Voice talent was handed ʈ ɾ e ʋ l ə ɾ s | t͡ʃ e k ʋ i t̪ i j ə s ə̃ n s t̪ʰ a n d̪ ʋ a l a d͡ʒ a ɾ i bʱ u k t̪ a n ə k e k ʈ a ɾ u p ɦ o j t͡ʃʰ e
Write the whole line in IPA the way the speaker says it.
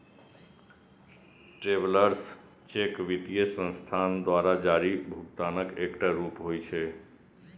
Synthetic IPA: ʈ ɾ e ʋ l ə ɾ s | t͡ʃ e k ʋ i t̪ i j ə s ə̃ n s t̪ʰ a n d̪ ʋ a ɾ a d͡ʒ a ɾ i bʱ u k t̪ a n ə k e k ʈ a ɾ u p ɦ o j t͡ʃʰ e